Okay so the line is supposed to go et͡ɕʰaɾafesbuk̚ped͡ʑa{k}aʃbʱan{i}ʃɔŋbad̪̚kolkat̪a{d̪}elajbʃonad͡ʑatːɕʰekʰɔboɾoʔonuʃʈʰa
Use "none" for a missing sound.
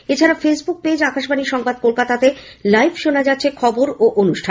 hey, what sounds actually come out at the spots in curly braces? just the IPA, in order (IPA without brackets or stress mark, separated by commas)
k, i, t̪